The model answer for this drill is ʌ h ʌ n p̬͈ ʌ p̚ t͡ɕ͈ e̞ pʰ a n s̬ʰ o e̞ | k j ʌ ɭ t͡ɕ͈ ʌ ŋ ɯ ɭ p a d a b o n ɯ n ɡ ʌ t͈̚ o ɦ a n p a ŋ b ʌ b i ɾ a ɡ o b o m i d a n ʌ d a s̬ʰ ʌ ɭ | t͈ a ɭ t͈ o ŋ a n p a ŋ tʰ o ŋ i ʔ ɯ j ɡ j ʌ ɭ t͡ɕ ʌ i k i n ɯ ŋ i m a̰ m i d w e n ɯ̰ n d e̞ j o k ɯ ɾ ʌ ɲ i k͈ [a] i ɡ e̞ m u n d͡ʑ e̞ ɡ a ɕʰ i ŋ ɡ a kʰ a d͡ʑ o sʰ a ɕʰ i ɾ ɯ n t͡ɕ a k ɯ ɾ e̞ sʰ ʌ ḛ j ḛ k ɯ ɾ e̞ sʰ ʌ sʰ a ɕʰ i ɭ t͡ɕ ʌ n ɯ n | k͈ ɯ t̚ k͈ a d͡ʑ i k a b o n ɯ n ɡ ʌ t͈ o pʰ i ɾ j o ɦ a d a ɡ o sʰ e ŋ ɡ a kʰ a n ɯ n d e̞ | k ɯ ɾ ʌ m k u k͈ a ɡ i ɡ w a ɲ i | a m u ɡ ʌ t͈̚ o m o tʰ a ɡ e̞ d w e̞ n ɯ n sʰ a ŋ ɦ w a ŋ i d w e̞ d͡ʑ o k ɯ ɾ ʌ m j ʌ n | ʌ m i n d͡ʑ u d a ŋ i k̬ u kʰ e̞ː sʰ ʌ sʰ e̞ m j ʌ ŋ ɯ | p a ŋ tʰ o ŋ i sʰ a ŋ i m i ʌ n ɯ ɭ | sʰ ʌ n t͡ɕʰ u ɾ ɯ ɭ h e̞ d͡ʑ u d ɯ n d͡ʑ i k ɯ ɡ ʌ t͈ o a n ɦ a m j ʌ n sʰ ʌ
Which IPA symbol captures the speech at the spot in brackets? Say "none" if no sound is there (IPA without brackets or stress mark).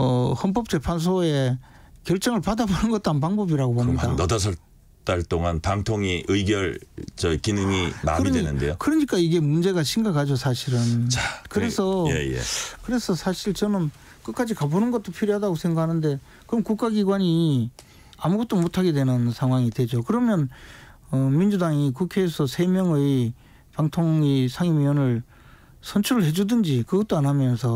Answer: a